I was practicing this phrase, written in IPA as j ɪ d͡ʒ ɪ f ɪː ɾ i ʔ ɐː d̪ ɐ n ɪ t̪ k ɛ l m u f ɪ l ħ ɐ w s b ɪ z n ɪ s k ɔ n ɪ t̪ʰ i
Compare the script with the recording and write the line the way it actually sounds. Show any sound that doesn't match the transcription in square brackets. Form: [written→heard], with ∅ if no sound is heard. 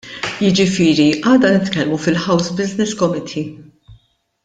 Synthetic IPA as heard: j ɪ d͡ʒ ɪ f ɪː ɾ i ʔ ɐː d̪ ɐ n ɪ t̪ k ɛ l m u f ɪ l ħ ɐ w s b ɪ z n ɪ s k ɔ [n→m] ɪ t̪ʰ i